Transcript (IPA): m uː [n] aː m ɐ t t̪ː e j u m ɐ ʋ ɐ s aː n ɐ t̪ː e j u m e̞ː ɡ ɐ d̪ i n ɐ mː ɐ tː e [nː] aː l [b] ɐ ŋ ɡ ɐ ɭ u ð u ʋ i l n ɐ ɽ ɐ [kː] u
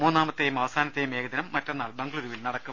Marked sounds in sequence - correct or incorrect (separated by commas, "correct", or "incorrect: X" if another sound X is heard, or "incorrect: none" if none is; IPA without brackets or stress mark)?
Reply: incorrect: nː, correct, correct, correct